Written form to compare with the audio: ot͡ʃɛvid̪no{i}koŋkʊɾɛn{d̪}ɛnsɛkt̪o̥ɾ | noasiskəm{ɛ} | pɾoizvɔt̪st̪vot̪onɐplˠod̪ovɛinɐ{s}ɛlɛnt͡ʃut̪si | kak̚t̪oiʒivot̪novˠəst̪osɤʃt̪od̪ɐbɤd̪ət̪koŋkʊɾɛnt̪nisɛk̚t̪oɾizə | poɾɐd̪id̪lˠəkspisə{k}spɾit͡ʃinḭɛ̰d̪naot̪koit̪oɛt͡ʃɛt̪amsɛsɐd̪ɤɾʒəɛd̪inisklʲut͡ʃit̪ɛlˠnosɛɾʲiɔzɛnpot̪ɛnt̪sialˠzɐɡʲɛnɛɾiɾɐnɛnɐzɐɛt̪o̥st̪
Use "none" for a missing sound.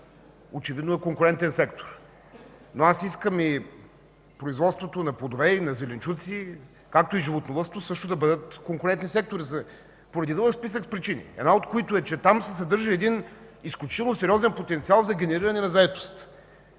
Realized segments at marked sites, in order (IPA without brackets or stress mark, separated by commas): ɛ, t̪, i, z, k